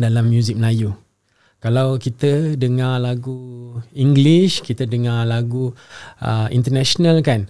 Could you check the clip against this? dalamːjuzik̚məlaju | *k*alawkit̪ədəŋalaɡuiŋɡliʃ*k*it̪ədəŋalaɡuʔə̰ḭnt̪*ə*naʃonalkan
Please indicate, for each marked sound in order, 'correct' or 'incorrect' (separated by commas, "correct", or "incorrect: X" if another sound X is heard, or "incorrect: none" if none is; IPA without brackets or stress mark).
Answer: correct, correct, correct